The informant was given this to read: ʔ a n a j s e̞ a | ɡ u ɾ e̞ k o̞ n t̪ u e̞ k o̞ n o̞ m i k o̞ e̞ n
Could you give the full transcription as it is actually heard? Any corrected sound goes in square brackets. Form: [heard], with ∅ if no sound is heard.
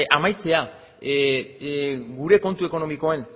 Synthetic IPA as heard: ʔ a [m] a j [t͡s] e̞ a | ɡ u ɾ e̞ k o̞ n t̪ u e̞ k o̞ n o̞ m i k o̞ e̞ n